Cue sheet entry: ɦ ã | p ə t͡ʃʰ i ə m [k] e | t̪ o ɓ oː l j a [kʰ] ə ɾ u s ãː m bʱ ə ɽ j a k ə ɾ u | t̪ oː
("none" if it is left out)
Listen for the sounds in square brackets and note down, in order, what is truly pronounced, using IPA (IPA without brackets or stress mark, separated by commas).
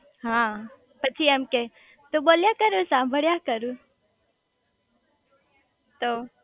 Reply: k, k